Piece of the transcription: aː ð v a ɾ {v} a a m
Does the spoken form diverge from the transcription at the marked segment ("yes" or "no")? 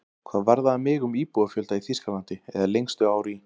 yes